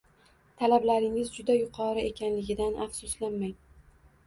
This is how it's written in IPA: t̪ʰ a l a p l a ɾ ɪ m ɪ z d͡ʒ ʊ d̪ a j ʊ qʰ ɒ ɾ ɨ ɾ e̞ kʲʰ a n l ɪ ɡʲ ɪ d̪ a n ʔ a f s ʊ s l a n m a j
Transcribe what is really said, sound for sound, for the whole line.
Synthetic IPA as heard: t̪ʰ a l a b l a ɾ ɪ ŋ ɪ z d͡ʒ ʊ d̪ a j ʊ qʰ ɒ ɾ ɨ e̞ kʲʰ a n l ɪ ɡʲ ɪ d̪ a n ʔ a f s ʊ s l a n m a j